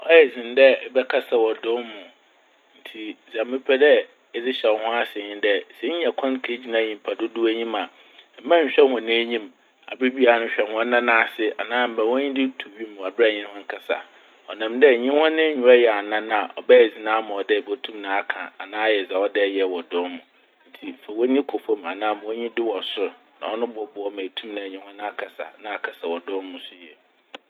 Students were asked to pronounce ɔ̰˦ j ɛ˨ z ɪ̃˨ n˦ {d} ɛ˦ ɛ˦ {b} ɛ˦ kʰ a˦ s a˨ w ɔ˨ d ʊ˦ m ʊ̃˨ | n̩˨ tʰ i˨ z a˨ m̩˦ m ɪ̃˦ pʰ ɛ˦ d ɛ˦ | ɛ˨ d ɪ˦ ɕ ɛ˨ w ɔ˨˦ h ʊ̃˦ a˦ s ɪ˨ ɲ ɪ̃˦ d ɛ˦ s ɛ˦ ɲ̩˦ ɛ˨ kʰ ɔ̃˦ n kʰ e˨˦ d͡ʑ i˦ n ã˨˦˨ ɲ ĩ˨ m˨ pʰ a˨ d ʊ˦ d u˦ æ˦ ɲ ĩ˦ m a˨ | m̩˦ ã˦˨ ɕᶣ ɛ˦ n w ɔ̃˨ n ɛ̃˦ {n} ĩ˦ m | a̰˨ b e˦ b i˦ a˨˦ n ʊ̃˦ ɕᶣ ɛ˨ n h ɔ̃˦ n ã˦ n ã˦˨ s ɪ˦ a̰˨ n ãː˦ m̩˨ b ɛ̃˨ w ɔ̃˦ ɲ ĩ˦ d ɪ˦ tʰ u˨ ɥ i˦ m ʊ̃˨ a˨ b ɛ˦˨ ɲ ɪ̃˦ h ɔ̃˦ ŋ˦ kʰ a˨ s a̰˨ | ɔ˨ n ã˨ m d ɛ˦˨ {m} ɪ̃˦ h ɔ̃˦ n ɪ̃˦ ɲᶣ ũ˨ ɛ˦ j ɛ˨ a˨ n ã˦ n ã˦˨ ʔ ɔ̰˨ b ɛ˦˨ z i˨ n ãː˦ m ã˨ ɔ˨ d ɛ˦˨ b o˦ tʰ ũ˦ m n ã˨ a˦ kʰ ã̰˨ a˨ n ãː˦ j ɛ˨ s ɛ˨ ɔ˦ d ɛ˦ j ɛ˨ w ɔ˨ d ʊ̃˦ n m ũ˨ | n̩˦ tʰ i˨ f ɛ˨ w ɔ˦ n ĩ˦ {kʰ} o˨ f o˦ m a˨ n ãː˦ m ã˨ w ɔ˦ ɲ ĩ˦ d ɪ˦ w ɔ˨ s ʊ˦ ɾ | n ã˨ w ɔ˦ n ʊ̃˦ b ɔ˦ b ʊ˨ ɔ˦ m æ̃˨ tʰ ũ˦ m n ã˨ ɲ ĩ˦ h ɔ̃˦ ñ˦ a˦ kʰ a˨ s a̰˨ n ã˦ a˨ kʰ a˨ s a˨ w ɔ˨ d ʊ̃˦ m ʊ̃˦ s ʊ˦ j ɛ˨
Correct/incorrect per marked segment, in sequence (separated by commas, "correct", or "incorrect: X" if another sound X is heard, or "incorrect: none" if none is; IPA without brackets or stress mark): correct, correct, incorrect: ɲ, incorrect: ɲ, correct